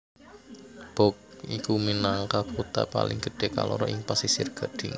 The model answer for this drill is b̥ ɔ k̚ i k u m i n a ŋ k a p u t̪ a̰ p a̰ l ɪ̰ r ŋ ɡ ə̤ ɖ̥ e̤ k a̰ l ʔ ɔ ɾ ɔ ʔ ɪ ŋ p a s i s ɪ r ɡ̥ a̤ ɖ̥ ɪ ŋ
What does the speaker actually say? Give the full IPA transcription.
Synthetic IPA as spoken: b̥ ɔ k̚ i k u m i n a ŋ k a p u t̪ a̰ p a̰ l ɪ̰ ŋ ɡ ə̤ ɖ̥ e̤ k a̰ l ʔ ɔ ɾ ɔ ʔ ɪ ŋ p a s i s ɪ r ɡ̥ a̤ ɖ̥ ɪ ŋ